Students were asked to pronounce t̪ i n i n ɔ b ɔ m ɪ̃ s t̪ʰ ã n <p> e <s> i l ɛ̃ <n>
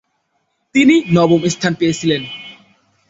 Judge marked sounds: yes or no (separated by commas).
yes, yes, yes